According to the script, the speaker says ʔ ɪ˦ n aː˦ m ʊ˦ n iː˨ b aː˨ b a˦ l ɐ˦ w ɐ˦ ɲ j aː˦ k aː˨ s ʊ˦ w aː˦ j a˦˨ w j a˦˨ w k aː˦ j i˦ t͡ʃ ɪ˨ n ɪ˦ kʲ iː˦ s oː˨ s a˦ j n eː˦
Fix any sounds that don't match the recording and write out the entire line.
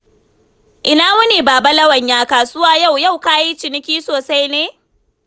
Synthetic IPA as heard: ʔ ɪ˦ n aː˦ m ʊ˦ n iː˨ b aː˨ b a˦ l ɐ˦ w ɐ˨ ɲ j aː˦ k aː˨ s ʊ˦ w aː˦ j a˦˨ w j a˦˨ w k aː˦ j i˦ t͡ʃ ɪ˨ n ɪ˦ kʲ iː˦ s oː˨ s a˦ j n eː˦